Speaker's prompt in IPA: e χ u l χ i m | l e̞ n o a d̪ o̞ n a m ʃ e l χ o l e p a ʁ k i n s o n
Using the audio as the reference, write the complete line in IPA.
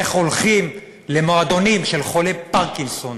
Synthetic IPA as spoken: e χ o l χ i m | l e̞ m o a d̪ o̞ n i m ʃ e l χ o l e p a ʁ k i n s o n